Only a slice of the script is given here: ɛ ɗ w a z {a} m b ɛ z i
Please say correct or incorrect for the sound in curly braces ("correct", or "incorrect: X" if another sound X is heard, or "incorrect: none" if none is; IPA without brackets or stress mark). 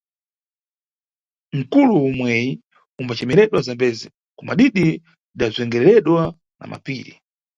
correct